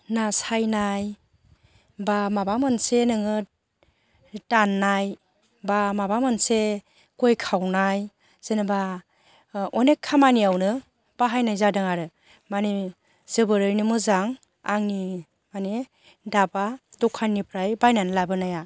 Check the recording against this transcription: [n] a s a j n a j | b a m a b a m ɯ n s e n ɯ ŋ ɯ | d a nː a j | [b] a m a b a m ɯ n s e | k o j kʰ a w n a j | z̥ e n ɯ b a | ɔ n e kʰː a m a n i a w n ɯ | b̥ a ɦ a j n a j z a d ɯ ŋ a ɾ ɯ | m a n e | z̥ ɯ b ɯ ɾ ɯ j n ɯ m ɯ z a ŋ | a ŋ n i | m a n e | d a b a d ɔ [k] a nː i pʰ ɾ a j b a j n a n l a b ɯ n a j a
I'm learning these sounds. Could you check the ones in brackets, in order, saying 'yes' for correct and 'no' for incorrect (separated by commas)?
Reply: yes, yes, no